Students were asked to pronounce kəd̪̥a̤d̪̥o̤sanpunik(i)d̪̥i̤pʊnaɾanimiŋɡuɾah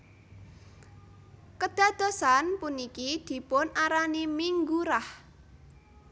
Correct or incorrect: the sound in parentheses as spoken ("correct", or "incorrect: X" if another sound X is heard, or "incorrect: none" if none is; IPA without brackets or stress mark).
correct